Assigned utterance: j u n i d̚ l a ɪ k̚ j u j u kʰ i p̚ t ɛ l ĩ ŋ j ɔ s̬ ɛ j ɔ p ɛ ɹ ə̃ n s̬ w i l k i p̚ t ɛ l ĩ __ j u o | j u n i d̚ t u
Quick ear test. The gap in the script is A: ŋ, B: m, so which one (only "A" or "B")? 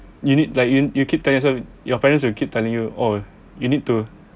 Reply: A